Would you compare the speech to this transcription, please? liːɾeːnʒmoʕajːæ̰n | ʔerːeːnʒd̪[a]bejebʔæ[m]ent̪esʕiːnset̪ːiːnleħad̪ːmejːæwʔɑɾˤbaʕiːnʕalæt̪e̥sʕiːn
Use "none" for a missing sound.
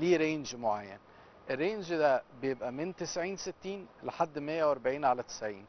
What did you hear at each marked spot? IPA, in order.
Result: æ, m

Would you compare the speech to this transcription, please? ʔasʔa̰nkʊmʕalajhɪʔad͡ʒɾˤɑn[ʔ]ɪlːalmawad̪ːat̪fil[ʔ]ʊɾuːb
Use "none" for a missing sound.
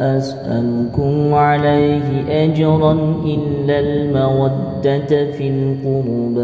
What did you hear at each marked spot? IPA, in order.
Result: ʔ, q

